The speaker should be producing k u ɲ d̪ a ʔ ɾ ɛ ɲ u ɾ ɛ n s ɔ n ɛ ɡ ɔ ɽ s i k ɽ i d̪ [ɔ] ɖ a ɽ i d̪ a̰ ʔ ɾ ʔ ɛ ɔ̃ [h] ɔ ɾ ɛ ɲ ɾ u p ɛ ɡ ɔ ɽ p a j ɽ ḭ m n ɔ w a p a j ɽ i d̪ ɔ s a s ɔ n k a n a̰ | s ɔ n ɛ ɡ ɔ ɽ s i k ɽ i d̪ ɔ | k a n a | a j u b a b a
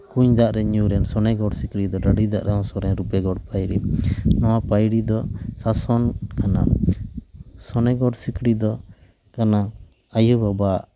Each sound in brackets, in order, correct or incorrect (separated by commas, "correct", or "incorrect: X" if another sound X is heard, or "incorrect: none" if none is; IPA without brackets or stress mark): correct, incorrect: s